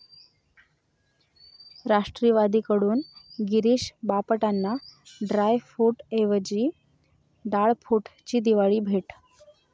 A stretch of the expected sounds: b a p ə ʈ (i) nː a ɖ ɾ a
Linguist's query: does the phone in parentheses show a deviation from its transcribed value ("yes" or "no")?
yes